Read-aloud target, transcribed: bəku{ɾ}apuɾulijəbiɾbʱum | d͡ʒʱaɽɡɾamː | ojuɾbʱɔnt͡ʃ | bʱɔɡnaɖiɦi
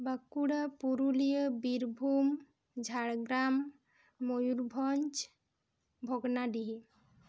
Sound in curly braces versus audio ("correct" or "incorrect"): incorrect